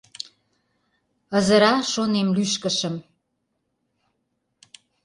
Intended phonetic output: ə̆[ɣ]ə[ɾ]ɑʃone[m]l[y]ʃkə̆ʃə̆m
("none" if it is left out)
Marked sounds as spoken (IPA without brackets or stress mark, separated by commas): z, ɾ, m, y